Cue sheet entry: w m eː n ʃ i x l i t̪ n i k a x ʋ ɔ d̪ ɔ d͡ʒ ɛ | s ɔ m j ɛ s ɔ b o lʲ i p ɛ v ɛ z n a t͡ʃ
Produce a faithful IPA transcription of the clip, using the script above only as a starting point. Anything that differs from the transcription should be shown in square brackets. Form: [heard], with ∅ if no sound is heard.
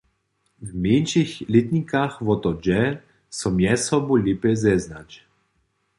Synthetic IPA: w m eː n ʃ i x l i t̪ n i k a x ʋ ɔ [t̪] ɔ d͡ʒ ɛ | s ɔ m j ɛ s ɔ b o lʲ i p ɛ [z] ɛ z n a t͡ʃ